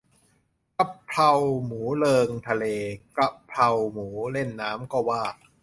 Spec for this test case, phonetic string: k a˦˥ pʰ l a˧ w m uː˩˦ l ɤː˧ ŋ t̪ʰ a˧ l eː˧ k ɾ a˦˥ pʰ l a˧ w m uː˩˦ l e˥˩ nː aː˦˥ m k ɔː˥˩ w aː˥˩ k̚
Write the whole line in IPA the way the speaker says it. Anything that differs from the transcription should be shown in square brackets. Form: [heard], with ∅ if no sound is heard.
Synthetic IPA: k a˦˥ pʰ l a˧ w m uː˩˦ l ɤː˧ ŋ t̪ʰ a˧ l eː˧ k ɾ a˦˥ pʰ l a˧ w m uː˩˦ l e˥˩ nː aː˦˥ m k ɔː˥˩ w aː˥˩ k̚